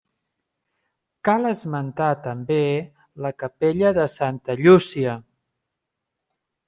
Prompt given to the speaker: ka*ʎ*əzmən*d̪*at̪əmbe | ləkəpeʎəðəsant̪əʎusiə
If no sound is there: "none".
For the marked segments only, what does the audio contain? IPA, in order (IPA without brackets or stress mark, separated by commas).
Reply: l, t̪